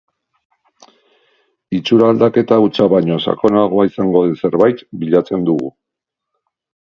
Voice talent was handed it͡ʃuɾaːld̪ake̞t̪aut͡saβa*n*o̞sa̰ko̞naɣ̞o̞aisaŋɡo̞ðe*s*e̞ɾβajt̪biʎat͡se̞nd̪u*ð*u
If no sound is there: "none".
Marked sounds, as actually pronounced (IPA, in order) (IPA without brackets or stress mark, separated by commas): ɲ, s, ɣ